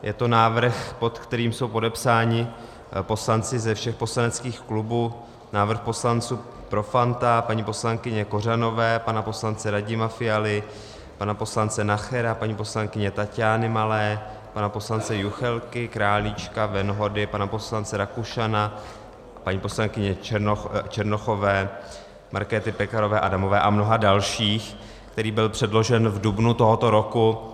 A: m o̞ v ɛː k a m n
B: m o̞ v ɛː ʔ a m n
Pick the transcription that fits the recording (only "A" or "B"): B